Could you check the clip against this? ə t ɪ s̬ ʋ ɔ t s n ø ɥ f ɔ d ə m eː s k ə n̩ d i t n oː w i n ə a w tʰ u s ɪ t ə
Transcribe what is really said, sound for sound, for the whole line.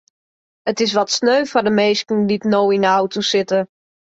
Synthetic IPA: ə t ɪ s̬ ʋ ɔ t s n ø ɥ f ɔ d ə m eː s k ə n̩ d i t n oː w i n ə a w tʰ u s ɪ t ə